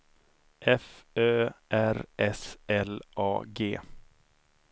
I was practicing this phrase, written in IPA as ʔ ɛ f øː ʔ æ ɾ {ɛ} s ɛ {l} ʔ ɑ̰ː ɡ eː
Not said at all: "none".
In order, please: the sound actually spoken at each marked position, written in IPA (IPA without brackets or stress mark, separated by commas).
ɛ, l